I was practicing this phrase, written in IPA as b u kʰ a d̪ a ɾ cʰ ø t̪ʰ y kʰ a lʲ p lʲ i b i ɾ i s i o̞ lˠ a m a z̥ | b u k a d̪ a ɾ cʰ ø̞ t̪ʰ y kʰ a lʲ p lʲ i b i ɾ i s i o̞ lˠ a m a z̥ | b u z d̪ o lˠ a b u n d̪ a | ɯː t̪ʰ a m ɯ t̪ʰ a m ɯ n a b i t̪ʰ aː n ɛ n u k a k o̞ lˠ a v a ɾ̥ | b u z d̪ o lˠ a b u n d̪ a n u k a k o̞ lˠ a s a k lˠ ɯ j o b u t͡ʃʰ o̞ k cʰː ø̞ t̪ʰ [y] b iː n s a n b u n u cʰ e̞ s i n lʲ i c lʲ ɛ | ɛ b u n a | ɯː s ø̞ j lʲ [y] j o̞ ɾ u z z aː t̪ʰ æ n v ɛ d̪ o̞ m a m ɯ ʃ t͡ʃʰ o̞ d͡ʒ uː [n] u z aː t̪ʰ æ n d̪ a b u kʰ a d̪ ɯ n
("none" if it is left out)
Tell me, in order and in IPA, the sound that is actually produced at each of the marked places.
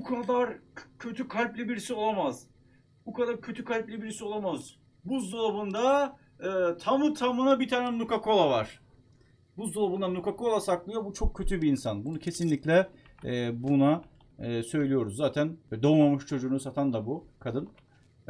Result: y, i, n

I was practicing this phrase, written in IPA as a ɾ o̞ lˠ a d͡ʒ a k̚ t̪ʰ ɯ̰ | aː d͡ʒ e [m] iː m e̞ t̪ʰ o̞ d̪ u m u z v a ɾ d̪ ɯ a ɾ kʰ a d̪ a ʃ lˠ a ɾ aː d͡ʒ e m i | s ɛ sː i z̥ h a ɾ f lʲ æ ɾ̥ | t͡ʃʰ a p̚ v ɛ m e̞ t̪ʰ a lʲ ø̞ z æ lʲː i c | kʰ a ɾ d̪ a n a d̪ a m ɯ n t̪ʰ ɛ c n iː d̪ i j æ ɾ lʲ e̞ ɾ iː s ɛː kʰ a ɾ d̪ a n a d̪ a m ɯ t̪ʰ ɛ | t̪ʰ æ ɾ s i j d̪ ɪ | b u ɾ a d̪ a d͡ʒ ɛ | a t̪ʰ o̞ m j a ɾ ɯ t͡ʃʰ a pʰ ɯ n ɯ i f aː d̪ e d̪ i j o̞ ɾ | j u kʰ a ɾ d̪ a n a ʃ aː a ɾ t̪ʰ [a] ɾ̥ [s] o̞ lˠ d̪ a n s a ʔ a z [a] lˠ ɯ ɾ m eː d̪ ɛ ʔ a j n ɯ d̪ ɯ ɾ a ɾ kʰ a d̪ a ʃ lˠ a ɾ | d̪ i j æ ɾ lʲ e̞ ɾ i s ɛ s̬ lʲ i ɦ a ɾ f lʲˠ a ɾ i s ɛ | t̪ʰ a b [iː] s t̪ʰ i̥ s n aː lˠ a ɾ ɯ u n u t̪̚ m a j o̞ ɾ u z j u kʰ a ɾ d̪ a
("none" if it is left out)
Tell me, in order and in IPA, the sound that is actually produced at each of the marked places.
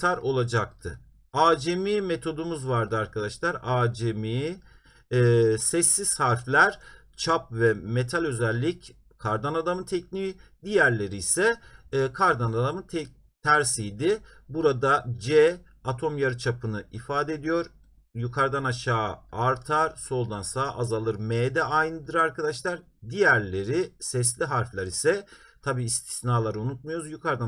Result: m, a, s, a, iː

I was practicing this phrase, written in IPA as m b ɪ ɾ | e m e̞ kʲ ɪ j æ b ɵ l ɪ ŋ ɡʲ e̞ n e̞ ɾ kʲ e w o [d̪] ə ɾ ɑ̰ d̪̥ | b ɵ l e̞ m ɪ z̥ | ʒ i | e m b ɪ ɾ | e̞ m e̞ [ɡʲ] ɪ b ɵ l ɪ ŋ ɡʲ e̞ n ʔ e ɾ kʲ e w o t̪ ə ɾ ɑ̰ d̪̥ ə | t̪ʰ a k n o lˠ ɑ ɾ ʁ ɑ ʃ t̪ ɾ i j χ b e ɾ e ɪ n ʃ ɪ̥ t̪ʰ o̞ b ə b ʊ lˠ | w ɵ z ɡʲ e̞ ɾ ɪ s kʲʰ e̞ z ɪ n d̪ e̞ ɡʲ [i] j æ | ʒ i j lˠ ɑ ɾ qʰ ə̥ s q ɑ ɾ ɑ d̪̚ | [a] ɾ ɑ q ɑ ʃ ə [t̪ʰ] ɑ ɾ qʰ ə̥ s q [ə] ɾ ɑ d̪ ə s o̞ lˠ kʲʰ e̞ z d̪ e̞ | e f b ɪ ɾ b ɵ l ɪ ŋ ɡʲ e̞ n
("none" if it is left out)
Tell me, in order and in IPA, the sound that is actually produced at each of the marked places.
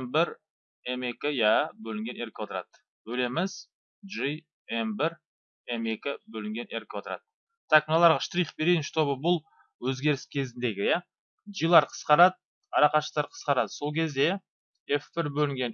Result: t̪, kʲ, ɪ, ɑ, t̪, ɑ

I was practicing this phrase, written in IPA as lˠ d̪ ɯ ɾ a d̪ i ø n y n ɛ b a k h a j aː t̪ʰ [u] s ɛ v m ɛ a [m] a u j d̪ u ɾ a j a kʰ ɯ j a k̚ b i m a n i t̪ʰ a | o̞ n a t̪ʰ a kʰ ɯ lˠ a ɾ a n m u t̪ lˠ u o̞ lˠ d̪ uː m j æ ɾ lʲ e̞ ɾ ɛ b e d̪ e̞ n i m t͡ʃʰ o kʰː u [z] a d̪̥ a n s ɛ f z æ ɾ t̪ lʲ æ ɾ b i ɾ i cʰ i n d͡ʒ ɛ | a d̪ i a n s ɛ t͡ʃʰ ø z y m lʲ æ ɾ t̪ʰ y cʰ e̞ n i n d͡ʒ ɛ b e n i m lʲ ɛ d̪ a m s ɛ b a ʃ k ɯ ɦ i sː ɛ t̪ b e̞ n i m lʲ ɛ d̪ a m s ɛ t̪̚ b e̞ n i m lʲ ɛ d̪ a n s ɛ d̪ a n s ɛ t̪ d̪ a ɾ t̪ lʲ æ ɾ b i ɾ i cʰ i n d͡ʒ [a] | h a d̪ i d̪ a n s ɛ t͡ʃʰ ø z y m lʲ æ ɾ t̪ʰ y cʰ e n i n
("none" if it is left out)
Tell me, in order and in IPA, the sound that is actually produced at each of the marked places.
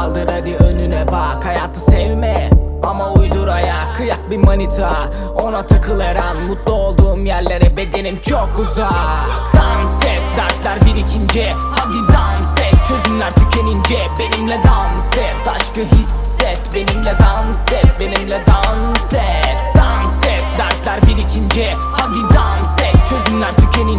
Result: ɯ, m, z, ɛ

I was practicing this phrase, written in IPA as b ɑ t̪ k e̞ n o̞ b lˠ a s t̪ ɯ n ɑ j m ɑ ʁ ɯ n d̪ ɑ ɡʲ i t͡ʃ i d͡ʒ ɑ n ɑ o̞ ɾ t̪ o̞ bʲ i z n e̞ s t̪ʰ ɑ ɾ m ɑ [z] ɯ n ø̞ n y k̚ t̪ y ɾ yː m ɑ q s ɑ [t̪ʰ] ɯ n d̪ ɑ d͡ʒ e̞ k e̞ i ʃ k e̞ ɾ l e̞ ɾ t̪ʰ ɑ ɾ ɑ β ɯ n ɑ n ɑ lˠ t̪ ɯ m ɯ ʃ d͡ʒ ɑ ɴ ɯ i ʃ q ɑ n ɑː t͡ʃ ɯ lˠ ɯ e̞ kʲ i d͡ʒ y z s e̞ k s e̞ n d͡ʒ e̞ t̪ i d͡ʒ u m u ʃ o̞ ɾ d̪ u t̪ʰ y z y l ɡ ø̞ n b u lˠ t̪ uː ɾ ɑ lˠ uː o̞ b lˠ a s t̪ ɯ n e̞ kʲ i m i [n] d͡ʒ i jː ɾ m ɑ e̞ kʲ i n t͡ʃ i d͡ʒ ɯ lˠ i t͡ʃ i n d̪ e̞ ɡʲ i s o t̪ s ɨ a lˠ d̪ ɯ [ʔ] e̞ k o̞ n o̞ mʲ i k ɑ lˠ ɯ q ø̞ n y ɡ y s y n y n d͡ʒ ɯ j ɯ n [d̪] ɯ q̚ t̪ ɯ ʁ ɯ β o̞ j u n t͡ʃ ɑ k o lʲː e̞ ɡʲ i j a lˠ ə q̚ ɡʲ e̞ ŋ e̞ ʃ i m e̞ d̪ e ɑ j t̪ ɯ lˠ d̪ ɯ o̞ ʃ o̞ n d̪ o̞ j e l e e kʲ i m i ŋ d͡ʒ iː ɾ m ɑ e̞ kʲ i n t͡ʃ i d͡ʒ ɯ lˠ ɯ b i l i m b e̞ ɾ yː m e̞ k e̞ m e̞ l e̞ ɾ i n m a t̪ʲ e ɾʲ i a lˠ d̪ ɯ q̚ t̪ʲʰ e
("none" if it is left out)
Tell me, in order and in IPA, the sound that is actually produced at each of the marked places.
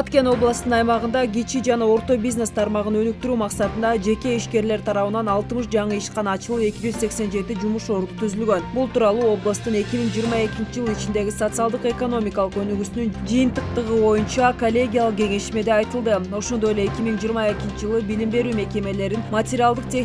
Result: ʁ, t̪, ŋ, q, t̪

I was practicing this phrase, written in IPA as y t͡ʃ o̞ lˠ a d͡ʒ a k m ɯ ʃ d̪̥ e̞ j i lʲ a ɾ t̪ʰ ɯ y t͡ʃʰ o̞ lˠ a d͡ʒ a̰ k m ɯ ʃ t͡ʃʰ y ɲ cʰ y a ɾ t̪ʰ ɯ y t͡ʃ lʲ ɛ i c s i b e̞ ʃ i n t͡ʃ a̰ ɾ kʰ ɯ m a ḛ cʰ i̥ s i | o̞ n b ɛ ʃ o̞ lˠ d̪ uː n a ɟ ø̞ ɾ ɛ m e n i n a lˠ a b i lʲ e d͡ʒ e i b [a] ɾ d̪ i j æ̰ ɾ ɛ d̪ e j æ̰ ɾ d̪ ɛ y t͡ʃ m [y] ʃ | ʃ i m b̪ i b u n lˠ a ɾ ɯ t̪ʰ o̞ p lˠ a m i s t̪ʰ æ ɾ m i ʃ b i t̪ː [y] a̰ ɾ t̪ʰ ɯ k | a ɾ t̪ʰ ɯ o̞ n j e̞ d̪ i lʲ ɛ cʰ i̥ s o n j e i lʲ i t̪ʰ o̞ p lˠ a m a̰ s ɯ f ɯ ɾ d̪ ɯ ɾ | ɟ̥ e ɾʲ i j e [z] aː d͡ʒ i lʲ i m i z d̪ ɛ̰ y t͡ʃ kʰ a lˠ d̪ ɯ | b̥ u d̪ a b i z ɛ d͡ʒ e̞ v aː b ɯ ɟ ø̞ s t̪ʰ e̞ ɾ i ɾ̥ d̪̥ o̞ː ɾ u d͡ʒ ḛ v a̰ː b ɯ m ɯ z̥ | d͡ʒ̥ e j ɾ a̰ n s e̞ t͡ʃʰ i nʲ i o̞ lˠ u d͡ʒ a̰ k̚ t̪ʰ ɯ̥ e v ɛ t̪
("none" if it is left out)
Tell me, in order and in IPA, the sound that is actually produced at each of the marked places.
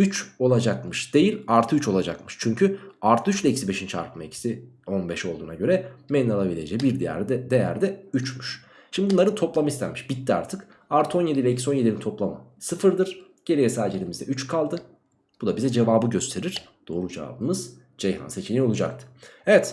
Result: i, y, i, s

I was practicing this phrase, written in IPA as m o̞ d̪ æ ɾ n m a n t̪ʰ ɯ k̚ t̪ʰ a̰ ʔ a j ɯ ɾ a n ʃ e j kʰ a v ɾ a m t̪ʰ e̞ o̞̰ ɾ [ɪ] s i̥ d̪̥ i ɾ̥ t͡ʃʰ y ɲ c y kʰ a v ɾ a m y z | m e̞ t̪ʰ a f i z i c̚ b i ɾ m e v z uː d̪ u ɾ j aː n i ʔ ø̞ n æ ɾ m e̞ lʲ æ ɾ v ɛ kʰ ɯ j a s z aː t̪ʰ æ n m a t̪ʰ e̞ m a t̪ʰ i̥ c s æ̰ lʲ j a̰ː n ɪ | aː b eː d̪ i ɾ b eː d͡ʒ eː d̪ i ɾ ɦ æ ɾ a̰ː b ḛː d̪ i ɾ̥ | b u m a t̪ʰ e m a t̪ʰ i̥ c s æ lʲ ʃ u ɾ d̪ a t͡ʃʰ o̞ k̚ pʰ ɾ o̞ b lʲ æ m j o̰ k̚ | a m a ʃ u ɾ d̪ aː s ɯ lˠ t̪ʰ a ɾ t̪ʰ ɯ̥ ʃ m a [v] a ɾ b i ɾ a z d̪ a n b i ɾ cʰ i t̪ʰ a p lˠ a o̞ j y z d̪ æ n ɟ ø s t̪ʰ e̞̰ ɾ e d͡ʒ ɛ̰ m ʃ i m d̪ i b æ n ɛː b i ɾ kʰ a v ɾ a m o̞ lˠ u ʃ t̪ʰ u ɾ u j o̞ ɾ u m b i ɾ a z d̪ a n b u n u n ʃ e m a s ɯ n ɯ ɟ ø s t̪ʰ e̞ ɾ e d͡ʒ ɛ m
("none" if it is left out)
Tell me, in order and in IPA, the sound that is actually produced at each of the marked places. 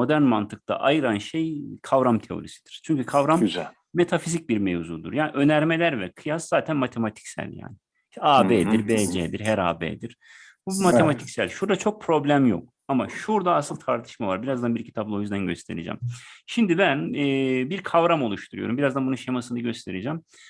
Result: i, v

